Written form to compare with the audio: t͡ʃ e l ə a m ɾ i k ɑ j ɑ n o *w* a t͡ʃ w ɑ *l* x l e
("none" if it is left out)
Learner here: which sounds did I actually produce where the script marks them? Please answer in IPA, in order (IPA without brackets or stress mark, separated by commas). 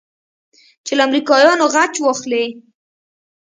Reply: ɣ, none